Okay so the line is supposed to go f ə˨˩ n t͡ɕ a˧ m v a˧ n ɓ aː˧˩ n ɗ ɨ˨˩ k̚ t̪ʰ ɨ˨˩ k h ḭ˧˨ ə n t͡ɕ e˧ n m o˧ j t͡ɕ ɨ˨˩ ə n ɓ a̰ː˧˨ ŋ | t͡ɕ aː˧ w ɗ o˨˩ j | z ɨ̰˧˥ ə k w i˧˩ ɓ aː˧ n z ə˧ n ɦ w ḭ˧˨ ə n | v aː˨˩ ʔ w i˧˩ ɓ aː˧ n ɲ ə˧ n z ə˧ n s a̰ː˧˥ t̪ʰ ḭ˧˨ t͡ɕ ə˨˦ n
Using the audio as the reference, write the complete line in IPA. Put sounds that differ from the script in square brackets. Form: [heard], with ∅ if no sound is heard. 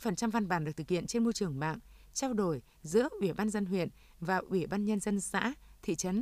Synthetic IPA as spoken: f ə˨˩ n t͡ɕ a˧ m v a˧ n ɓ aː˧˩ n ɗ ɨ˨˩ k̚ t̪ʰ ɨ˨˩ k h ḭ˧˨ ə n t͡ɕ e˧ n m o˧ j t͡ɕ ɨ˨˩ ə [ŋ] ɓ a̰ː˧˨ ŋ | t͡ɕ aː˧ w ɗ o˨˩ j | z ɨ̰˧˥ ə [ʔ] w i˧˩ ɓ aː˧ n z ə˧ n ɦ w ḭ˧˨ ə n | v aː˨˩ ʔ w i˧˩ ɓ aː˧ n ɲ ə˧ n z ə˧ n s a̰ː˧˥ t̪ʰ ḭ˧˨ t͡ɕ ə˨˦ n